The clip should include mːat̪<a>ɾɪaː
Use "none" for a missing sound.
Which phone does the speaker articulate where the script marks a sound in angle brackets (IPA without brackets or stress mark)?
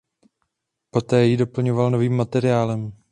ɛ